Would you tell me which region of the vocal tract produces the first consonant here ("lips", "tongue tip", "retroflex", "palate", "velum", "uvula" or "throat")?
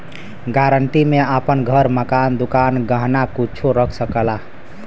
velum